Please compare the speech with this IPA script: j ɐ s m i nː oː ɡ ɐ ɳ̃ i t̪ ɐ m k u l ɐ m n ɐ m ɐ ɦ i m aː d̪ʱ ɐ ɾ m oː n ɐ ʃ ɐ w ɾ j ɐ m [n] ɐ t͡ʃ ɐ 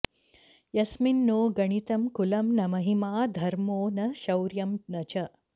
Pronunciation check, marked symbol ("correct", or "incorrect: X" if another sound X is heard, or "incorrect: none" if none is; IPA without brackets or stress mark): correct